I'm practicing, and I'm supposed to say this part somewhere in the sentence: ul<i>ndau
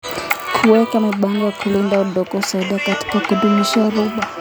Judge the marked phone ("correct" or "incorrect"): correct